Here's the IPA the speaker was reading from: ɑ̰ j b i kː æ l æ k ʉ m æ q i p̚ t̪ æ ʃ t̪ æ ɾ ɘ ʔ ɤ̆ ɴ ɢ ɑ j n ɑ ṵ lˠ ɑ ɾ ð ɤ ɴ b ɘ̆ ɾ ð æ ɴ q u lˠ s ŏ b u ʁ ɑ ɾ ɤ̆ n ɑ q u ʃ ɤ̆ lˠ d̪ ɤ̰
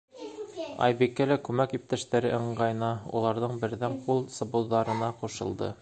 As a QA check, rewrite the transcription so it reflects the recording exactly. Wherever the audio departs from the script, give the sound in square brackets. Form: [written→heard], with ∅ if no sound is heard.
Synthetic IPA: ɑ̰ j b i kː æ l æ k ʉ m æ [q→k] i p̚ t̪ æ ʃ t̪ æ ɾ ɘ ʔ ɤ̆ ɴ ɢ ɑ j n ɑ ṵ lˠ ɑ ɾ ð ɤ ɴ b ɘ̆ ɾ ð æ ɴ q u lˠ s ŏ b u [ʁ→ð] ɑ ɾ ɤ̆ n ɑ q u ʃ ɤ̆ lˠ d̪ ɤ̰